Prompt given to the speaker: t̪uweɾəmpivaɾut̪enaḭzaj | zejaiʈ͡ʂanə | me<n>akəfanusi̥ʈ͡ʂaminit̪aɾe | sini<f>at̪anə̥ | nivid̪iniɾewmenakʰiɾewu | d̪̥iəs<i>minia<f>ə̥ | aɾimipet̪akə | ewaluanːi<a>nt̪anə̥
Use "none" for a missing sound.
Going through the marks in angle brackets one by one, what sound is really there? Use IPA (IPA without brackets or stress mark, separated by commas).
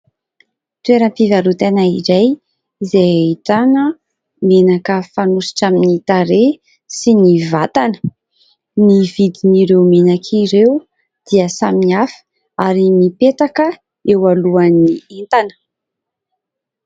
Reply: n, v, a, f, e